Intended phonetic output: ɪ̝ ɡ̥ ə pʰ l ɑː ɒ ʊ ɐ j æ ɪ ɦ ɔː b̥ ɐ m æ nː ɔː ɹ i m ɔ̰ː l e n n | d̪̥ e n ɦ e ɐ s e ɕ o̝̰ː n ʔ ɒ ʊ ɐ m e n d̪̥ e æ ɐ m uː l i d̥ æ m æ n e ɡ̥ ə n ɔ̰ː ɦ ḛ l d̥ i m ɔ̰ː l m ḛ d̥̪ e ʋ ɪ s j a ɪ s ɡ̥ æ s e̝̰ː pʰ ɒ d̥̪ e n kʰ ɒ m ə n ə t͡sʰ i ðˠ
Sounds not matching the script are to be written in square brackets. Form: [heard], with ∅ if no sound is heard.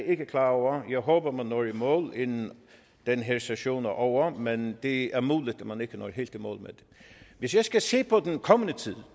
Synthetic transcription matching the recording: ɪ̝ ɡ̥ ə [kʰ] l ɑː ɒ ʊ ɐ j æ ɪ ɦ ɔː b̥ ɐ m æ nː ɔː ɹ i m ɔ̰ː l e n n | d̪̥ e n ɦ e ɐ s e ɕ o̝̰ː n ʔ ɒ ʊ ɐ m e n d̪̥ e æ ɐ m uː l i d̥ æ m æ n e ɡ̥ ə n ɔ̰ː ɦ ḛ l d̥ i m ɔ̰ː l m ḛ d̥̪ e ʋ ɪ s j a ɪ s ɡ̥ æ s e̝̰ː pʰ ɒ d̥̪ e n kʰ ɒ m ə n ə t͡sʰ i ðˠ